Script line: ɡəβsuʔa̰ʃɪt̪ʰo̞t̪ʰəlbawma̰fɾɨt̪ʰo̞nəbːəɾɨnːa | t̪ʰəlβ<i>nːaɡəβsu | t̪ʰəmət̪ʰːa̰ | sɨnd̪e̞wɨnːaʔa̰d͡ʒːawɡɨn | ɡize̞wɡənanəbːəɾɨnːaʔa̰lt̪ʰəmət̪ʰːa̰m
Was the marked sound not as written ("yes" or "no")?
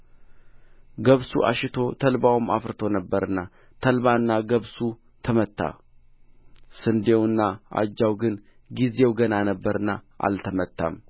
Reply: yes